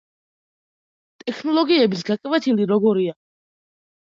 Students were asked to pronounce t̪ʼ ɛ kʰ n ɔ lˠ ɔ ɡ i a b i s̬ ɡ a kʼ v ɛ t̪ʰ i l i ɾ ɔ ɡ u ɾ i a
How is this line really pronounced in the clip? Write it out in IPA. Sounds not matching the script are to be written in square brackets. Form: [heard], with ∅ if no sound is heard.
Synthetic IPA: t̪ʼ ɛ kʰ n ɔ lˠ ɔ ɡ i [ɛ] b i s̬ ɡ a kʼ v ɛ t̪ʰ i l i ɾ ɔ ɡ [ɔ] ɾ i a